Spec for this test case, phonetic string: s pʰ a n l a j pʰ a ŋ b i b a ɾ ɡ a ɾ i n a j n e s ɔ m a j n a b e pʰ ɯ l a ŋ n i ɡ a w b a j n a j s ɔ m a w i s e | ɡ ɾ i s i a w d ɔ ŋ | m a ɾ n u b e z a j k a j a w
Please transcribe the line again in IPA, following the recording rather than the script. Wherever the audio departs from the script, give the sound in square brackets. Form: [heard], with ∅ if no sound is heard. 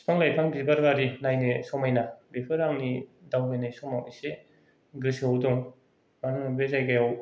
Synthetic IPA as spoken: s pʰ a [ŋ] l a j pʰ a ŋ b i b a ɾ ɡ a ɾ i n a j n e s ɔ m a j n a b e pʰ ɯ [ɾ] a ŋ n i [d] a w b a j n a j s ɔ m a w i s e | ɡ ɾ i s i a w d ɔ ŋ | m a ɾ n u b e z a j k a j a w

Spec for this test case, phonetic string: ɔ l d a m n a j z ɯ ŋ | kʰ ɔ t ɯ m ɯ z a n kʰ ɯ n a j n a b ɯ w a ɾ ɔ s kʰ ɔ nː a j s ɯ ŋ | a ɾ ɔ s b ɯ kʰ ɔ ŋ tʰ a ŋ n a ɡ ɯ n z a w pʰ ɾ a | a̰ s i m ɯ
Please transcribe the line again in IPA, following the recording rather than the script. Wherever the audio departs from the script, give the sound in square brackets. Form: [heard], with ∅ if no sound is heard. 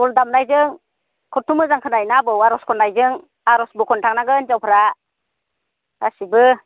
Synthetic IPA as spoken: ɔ l d a m n a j z ɯ ŋ | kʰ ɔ t [u] m ɯ z a [ŋ] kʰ ɯ n a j n a b ɯ w a ɾ ɔ s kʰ ɔ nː a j [z] ɯ ŋ | a ɾ ɔ s b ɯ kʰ ɔ [n] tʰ a ŋ n a ɡ ɯ n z a w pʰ ɾ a | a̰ s i [b] ɯ

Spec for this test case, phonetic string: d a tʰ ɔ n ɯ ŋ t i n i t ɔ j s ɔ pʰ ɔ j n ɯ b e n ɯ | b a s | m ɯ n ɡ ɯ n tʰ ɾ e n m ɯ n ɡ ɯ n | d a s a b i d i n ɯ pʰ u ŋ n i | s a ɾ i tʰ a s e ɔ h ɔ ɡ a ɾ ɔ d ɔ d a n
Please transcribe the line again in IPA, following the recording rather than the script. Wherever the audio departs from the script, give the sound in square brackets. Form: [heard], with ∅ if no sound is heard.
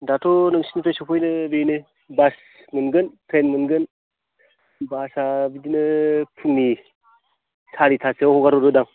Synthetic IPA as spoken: d a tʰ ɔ n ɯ ŋ [s] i n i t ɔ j s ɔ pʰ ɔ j n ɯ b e n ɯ | b a s | m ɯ n ɡ ɯ n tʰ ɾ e n m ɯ n ɡ ɯ n | [b] a s a b i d i n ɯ pʰ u ŋ n i | s a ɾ i tʰ a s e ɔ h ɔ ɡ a ɾ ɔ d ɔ d a [ŋ]

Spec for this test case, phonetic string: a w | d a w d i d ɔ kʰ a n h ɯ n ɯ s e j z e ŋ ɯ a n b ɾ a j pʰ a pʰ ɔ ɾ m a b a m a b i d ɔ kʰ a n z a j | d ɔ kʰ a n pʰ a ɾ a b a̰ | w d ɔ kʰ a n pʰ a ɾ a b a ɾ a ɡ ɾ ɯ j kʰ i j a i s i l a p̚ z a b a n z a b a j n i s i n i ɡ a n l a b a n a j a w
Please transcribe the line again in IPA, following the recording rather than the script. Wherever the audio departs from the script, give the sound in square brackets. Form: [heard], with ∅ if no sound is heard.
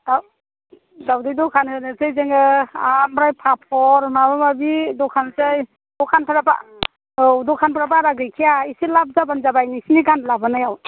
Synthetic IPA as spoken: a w | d a w d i d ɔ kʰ a n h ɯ n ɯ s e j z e ŋ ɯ a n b ɾ a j pʰ a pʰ ɔ ɾ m a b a m a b i d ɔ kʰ a n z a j | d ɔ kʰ a n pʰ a ɾ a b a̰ | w d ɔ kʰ a n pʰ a ɾ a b a ɾ a ɡ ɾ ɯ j kʰ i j a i s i l a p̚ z a b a n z a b a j n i s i n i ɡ a n l a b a n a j a w

